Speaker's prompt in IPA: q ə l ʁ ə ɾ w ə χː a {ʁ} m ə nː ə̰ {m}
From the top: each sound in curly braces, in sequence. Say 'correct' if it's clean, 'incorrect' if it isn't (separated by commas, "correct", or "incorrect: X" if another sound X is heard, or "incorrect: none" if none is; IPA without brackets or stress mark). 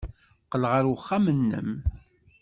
incorrect: none, correct